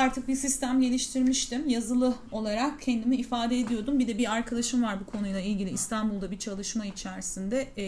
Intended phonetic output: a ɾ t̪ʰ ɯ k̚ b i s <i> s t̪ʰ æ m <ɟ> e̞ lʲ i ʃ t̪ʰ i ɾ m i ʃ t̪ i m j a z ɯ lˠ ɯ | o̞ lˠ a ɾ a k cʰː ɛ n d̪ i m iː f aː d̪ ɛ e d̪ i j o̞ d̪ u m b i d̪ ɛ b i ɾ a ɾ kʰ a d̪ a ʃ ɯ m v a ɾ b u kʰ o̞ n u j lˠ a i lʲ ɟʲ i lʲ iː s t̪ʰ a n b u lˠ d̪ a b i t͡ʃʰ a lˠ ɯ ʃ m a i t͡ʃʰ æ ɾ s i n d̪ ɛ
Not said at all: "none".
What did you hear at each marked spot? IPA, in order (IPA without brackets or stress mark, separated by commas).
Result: i, ɟ